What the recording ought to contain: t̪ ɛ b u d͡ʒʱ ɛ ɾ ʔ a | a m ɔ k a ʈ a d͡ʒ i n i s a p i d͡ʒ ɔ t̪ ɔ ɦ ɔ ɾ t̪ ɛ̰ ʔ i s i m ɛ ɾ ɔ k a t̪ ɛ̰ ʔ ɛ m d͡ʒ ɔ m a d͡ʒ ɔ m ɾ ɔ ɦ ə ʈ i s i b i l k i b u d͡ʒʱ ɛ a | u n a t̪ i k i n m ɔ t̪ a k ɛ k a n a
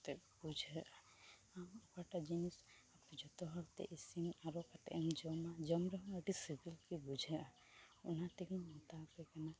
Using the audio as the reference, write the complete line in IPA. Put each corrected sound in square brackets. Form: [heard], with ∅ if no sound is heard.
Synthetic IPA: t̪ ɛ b u d͡ʒʱ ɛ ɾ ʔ a | a m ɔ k a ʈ a d͡ʒ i n i s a p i d͡ʒ ɔ t̪ ɔ ɦ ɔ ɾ t̪ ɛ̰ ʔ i s i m [a] ɾ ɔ k a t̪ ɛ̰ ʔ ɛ m d͡ʒ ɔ m a d͡ʒ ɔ m ɾ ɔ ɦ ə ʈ i s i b i l k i b u d͡ʒʱ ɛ a | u n a t̪ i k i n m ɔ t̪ a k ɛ k a n a